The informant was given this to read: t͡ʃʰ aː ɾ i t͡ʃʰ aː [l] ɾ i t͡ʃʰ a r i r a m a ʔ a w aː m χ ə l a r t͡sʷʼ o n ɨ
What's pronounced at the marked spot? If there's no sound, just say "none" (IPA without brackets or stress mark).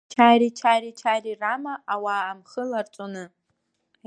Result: none